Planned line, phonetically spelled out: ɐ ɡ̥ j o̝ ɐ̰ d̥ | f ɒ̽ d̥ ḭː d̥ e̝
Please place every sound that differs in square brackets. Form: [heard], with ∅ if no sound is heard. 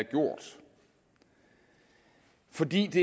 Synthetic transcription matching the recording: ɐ ɡ̥ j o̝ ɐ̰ d̥ | f ɒ̽ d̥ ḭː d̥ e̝

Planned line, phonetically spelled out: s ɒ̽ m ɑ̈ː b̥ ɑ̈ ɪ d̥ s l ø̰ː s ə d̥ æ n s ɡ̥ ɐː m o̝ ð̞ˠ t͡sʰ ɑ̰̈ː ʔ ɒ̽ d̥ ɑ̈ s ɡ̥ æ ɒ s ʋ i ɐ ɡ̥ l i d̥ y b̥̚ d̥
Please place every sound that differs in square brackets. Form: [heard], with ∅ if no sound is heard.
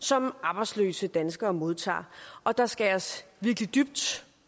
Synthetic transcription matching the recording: s ɒ̽ m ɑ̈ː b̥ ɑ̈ ɪ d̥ s l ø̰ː s ə d̥ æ n s ɡ̥ ɐː m o̝ ð̞ˠ t͡sʰ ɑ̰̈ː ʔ ɒ̽ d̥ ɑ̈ s ɡ̥ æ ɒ s ʋ i ɐ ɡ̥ l i d̥ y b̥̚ d̥

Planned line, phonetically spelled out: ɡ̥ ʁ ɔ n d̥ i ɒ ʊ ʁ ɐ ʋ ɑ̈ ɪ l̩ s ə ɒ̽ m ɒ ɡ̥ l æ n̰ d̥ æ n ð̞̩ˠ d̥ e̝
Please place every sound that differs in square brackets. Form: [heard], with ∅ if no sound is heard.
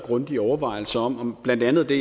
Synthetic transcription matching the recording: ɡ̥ ʁ ɔ n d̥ i ɒ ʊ [∅] ɐ ʋ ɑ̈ ɪ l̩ s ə ɒ̽ m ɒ [b̥] l æ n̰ d̥ æ n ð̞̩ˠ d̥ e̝

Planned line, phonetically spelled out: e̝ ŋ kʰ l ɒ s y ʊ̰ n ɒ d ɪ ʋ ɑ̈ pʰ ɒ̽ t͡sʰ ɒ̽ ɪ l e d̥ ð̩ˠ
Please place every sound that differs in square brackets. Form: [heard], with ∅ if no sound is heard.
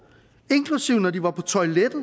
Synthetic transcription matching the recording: e̝ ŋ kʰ l [u] s [i] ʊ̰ n ɒ d [i] ʋ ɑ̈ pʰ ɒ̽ t͡sʰ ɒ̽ ɪ l e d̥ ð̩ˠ

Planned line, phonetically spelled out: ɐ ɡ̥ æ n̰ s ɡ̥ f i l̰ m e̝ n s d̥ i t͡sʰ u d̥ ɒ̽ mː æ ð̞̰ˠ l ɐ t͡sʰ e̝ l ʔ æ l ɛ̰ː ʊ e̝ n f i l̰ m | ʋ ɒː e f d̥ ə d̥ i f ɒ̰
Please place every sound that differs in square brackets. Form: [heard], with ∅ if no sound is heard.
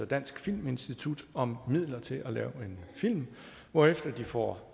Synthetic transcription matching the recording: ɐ [d̥] æ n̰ s ɡ̥ f i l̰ m e̝ n s d̥ i t͡sʰ u d̥ ɒ̽ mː [i] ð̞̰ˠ l ɐ t͡sʰ e̝ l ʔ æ l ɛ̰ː ʊ e̝ n f i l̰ m | ʋ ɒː e f d̥ [ɐ] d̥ i f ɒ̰

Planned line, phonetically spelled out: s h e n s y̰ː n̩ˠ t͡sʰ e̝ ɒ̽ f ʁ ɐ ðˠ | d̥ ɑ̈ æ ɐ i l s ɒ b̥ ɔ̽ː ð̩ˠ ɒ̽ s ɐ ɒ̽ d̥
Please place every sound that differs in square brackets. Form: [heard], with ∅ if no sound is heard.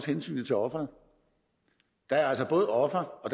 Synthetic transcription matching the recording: s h e n s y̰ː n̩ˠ t͡sʰ e̝ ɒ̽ f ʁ ɐ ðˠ | d̥ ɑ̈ æ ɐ [æ] l s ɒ b̥ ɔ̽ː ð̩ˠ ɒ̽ [f] ɐ ɒ̽ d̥

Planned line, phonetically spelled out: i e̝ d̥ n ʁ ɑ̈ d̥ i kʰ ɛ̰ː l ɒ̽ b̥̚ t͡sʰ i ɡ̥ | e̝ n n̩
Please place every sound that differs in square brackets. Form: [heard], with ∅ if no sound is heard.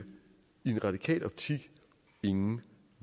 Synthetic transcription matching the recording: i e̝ [∅] n ʁ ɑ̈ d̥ i kʰ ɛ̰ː l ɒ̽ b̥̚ t͡sʰ i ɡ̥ | e̝ [ŋ] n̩

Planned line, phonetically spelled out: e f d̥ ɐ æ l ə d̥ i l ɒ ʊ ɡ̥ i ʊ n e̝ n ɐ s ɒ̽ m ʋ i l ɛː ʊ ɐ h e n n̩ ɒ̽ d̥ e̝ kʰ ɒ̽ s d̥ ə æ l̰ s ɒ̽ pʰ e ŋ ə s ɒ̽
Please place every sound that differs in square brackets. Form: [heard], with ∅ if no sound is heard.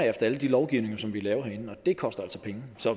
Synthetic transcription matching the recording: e f d̥ ɐ æ l ə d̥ i l ɒ ʊ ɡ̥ i ʊ n e̝ [ŋ] ɐ s ɒ̽ m ʋ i l ɛː ʊ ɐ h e n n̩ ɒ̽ d̥ e̝ kʰ ɒ̽ s d̥ [ɐ] æ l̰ s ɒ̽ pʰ e ŋ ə s ɒ̽

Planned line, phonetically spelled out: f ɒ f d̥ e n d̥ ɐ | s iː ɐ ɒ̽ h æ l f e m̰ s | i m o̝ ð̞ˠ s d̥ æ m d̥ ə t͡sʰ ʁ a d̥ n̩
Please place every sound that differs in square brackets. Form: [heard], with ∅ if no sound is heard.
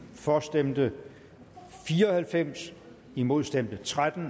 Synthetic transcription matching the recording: f ɒ [s] d̥ e [m] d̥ [ə] | [f] iː ɐ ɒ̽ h æ l f e m̰ s | i m o̝ ð̞ˠ s d̥ [e] m d̥ ə t͡sʰ ʁ a d̥ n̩

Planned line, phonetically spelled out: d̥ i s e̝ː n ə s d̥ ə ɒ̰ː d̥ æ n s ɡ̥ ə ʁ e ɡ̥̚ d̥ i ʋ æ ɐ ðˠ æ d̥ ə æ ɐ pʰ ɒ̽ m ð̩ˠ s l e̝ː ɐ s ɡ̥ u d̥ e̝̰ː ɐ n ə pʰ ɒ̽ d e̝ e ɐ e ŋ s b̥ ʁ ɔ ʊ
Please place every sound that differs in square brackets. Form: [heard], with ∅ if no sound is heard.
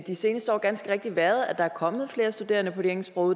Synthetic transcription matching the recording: d̥ i s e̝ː n ə s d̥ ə ɒ̰ː [ɡ̥] æ n s ɡ̥ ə ʁ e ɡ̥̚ d̥ i ʋ æ ɐ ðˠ æ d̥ [ɑ] æ ɐ [kʰ] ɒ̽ m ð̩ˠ [f] l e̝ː ɐ s [d̥] u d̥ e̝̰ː ɐ n ə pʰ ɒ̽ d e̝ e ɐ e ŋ s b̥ ʁ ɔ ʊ

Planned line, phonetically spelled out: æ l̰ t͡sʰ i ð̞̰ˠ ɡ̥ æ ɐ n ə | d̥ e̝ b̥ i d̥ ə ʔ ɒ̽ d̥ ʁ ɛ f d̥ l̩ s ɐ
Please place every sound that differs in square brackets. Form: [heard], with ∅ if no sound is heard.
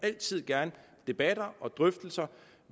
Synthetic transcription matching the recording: æ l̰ t͡sʰ i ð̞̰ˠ ɡ̥ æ ɐ n ə | d̥ e̝ b̥ [æ] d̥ [ɐ] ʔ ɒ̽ d̥ ʁ [œ] f d̥ l̩ s ɐ

